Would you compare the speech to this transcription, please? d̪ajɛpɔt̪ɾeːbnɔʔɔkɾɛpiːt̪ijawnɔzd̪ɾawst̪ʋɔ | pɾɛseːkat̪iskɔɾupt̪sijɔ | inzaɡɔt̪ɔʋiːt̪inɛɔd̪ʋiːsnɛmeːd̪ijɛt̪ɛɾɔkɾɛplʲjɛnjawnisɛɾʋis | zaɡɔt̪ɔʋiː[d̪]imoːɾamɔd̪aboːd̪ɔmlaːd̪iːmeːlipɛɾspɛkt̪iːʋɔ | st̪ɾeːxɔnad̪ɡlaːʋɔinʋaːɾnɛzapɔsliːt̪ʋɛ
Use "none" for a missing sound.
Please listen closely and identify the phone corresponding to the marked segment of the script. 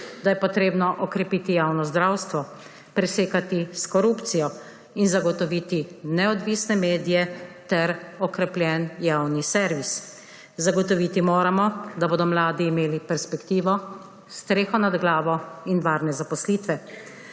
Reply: t̪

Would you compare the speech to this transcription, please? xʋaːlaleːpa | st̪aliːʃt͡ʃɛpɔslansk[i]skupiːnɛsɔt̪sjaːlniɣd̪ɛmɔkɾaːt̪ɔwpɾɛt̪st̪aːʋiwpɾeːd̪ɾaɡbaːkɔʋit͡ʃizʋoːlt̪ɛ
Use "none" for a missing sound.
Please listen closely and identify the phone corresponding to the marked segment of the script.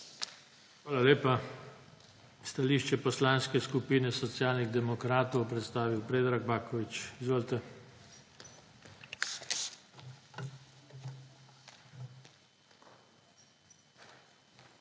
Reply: ɛ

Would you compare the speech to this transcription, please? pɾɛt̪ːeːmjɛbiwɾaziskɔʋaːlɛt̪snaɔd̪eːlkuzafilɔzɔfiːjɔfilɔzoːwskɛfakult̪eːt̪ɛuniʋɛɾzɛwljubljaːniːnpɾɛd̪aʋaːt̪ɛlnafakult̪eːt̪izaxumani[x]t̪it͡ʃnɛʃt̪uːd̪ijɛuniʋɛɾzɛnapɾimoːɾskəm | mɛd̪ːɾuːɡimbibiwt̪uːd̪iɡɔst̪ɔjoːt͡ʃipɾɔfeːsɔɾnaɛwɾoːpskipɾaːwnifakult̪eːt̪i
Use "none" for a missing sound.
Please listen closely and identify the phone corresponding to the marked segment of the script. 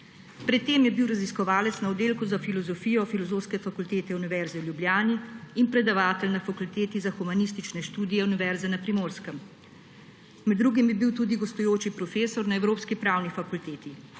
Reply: s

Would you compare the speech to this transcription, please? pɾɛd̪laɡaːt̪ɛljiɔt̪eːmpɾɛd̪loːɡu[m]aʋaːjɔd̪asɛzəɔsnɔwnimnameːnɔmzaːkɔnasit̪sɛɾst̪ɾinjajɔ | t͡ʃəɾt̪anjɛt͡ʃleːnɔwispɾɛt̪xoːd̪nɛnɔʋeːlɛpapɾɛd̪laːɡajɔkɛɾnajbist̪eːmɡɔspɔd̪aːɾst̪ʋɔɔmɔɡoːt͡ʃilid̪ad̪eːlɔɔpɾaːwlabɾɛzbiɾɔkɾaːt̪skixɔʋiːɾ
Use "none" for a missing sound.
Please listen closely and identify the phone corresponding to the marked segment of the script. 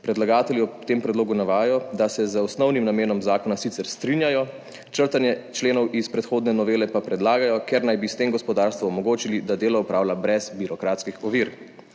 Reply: n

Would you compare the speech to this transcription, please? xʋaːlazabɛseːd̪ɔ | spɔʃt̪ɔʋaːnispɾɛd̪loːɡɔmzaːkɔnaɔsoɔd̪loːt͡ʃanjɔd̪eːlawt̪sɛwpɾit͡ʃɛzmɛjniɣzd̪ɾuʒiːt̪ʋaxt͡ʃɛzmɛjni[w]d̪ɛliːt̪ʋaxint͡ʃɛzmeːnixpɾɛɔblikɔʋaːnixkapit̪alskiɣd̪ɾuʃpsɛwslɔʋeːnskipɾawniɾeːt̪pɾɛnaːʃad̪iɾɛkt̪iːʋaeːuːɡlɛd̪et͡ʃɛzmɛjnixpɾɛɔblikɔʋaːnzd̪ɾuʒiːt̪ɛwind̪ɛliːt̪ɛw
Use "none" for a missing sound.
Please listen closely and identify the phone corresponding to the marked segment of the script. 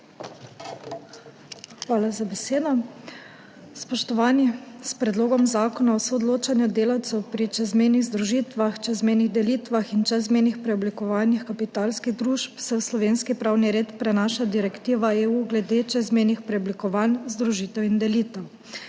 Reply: ɣ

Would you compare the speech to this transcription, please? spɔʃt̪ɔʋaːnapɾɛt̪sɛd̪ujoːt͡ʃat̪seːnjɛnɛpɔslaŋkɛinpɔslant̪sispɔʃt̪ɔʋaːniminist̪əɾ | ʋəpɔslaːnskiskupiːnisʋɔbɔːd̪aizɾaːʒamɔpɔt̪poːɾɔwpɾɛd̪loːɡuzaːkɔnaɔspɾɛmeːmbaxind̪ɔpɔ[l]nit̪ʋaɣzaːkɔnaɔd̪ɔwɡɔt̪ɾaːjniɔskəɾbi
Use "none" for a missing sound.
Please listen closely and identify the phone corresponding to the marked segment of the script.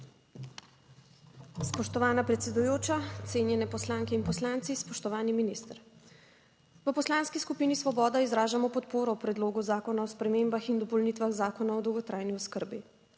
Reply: l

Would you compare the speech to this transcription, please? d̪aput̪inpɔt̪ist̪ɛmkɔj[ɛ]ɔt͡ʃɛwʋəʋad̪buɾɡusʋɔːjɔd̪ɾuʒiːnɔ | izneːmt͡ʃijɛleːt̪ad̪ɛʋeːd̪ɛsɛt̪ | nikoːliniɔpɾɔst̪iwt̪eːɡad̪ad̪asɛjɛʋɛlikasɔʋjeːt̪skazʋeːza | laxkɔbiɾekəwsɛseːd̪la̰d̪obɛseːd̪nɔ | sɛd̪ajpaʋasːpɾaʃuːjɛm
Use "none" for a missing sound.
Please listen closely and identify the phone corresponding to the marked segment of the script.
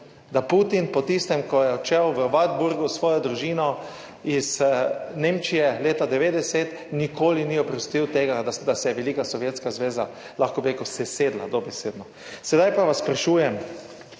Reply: ɛ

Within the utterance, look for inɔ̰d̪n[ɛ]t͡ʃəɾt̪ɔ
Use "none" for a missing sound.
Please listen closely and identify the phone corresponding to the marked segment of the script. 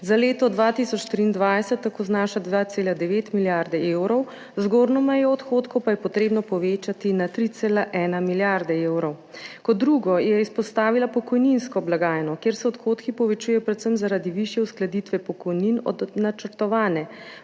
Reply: a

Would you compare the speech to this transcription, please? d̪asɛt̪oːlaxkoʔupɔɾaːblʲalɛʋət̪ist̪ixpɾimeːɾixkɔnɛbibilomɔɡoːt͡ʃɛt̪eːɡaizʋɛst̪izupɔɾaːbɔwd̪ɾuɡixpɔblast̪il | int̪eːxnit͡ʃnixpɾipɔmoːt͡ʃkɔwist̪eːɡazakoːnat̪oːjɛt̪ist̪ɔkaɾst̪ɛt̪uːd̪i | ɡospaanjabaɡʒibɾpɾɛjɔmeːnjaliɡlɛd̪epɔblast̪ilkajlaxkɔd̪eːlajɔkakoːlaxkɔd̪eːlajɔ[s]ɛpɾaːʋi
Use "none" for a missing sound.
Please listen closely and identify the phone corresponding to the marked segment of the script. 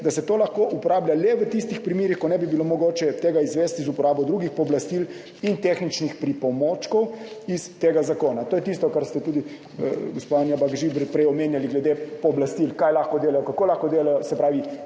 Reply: s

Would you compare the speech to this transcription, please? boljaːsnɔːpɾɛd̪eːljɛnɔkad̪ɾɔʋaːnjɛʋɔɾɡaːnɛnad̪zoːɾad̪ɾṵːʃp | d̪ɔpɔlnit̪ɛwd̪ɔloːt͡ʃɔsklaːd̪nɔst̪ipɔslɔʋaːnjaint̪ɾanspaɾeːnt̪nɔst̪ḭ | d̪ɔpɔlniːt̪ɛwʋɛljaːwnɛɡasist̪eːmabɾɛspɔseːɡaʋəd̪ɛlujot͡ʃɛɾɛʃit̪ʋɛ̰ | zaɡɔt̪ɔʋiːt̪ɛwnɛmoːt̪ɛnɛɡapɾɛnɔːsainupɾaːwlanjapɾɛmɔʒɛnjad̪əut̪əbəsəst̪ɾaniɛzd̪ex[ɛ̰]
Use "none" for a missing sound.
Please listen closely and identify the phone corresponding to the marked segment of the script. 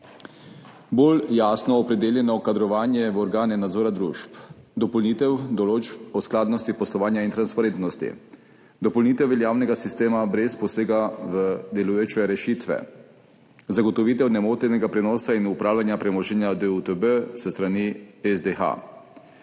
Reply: a̰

